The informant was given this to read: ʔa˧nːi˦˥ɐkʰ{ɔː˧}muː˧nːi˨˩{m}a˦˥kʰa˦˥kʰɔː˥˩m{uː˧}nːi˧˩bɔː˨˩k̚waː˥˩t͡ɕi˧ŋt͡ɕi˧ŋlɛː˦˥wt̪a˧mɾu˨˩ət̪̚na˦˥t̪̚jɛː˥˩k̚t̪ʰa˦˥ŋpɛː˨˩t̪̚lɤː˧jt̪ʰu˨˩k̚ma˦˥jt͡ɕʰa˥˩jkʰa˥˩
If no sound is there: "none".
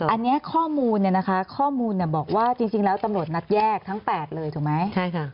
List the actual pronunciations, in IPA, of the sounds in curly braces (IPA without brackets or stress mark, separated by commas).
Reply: ɔː˥˩, n, uː˧